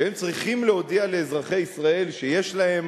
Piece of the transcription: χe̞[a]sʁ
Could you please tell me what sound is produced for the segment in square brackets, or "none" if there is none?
i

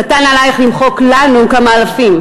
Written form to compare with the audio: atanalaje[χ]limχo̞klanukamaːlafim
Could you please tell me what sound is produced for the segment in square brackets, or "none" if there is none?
χ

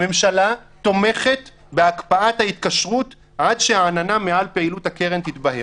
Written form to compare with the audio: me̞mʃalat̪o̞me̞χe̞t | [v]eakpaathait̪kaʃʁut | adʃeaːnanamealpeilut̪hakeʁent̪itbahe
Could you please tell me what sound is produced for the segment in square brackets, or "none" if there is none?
b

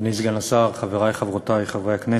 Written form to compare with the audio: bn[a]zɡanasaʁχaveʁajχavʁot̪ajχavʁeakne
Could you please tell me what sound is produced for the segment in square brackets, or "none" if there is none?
i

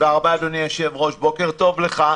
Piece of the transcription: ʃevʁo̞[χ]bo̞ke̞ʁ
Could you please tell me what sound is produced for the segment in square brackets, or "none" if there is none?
ʃ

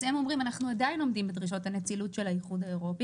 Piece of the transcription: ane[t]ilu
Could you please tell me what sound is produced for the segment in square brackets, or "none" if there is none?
t͡s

